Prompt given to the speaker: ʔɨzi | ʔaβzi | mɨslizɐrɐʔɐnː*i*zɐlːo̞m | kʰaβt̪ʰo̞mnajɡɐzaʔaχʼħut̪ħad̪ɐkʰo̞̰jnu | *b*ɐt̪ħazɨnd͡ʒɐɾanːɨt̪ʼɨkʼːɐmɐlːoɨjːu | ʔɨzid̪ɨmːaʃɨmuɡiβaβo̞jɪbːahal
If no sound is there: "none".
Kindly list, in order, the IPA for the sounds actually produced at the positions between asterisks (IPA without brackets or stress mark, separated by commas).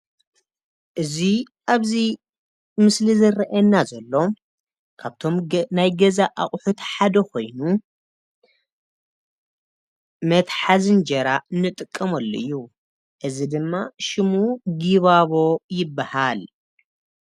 a, m